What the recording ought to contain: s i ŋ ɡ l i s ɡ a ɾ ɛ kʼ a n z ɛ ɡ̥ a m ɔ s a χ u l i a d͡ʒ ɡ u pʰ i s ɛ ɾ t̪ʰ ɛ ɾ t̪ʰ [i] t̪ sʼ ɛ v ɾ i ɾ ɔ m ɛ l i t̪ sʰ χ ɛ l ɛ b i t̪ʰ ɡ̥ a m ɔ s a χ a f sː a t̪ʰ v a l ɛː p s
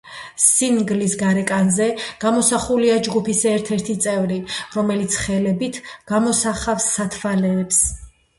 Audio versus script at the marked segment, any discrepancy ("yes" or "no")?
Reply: no